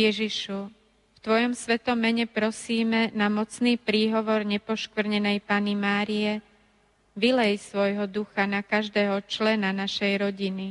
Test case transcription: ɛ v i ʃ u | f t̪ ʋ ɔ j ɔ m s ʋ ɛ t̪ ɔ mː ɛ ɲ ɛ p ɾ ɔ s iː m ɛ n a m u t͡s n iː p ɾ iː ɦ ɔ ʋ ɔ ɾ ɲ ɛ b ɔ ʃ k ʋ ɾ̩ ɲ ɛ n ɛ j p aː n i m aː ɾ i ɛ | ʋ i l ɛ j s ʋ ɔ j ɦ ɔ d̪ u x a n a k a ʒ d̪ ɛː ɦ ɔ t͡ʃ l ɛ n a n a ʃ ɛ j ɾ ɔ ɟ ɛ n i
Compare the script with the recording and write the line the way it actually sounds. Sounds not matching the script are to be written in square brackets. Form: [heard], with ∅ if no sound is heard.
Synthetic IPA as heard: ɛ [ʒ] i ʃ u | f t̪ ʋ ɔ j ɔ m s ʋ ɛ t̪ ɔ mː ɛ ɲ ɛ p ɾ ɔ s iː m ɛ n a m [ɔ] t͡s n iː p ɾ iː ɦ ɔ ʋ ɔ ɾ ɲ ɛ [p] ɔ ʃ k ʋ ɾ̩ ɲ ɛ n ɛ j p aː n i m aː ɾ i ɛ | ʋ i l ɛ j s ʋ ɔ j ɦ ɔ d̪ u x a n a k a ʒ d̪ ɛː ɦ ɔ t͡ʃ l ɛ n a n a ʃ ɛ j ɾ ɔ ɟ [i] n i